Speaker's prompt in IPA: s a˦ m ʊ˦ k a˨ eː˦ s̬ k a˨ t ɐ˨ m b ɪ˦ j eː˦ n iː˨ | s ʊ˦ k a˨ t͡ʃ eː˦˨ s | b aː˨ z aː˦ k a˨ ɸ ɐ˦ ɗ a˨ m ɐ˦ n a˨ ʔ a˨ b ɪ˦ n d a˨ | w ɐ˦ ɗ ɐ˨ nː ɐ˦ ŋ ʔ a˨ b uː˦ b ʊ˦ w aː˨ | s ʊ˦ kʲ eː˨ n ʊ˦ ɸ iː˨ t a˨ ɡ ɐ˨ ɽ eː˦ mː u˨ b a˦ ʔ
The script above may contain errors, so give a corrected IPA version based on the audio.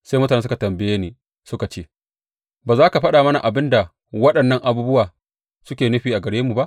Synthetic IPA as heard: s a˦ m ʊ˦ t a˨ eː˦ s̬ k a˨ t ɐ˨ m b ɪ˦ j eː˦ n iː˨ | s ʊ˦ k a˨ t͡ʃ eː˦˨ | b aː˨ z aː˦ k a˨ ɸ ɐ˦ ɗ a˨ m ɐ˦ n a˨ ʔ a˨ b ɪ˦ n d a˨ | w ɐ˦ ɗ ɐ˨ nː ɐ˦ ŋ ʔ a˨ b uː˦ b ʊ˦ w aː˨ | s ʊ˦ kʲ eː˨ n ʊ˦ ɸ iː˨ ʔ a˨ ɡ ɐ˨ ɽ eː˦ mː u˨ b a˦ ʔ